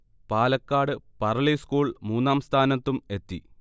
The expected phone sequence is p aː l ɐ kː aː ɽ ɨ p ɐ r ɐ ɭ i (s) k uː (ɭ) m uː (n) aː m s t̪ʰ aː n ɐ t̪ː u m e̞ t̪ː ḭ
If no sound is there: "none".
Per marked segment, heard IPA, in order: s, ɭ, nː

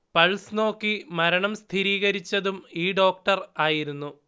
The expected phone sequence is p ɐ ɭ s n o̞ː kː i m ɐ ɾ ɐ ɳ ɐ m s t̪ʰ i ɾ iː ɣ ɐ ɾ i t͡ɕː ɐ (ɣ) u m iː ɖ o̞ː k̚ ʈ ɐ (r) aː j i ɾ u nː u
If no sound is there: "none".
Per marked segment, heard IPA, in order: ð, r

